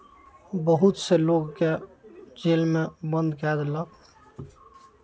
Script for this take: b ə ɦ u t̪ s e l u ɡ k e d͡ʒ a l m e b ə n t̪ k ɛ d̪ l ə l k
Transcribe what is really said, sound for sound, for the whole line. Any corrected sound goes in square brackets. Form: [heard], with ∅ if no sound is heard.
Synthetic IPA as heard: b ə ɦ u t̪ s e l [o] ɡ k e d͡ʒ [e] l m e b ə n [d̪] k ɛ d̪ l ə [∅] k